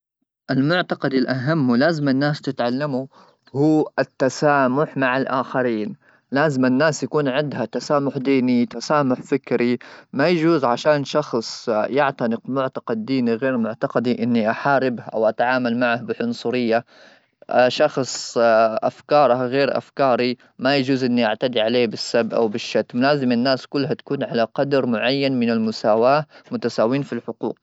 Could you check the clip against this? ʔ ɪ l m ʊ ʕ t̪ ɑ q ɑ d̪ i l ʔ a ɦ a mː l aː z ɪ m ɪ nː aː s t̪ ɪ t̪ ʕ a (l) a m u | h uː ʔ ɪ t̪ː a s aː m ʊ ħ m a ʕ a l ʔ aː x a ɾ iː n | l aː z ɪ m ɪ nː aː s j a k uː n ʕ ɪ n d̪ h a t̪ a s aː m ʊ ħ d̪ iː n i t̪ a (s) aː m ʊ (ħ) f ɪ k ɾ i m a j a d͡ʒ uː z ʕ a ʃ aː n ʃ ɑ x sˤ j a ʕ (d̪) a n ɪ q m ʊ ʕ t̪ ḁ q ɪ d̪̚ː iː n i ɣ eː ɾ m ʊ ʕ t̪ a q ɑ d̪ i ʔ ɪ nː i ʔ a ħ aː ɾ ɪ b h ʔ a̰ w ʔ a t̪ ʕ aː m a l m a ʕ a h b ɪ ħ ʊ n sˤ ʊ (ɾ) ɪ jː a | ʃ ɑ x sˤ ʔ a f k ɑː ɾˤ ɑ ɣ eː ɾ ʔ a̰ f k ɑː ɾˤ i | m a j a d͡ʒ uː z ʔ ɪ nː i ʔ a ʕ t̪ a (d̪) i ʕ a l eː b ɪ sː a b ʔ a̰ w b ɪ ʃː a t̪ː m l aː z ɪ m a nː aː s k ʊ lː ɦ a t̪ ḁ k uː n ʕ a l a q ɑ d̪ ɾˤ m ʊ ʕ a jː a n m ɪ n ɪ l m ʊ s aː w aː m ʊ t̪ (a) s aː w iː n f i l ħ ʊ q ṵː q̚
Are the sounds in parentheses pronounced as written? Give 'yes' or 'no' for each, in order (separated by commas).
no, yes, yes, no, yes, yes, yes